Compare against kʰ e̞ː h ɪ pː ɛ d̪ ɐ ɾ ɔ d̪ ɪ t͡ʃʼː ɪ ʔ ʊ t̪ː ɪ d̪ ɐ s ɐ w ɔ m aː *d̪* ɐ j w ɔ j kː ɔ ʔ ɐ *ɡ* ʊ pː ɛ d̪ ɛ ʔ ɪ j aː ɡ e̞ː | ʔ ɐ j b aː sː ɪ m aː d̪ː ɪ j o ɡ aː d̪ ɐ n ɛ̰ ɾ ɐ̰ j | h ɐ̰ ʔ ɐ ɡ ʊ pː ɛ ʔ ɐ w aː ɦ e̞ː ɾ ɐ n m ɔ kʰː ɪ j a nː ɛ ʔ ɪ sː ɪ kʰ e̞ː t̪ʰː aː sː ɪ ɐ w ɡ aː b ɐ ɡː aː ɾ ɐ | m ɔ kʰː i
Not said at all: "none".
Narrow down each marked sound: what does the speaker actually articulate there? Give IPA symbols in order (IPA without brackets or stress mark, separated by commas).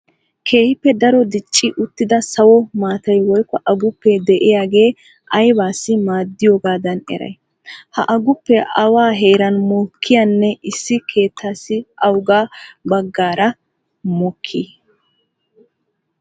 t̪, ɡ